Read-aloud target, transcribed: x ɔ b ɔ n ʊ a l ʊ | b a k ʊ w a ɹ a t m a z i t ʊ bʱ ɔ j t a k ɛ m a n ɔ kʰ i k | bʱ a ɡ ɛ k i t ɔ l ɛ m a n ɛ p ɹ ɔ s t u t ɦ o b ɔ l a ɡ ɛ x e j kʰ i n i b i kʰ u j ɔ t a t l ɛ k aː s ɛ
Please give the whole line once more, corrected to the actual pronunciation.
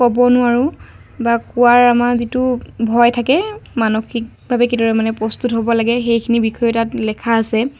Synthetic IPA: k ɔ b ɔ n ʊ a ɹ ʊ | b a k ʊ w a ɹ a m a z i t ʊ bʱ ɔ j tʰ a k ɛ m a n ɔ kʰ i k | bʱ a b ɛ k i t ɔ ɹ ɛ m a n ɛ p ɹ ɔ s t u t ɦ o b ɔ l a ɡ ɛ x e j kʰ i n i b i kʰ ɔ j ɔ t a t l ɛ kʰ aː s ɛ

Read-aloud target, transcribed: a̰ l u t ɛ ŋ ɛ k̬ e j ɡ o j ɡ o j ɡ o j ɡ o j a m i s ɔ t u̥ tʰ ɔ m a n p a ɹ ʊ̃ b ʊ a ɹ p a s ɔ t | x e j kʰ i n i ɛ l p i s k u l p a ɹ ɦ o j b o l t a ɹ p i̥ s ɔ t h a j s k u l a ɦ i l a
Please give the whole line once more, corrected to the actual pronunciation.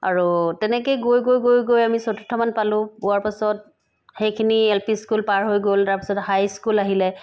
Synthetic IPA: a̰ ɹ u t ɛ n ɛ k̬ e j ɡ o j ɡ o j ɡ o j ɡ o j a m i s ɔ t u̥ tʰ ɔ m a n p a l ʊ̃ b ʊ a ɹ p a s ɔ t | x e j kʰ i n i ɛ l p i s k u l p a ɹ ɦ o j ɡ o l t a ɹ p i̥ s ɔ t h a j s k u l a ɦ i l ɛ

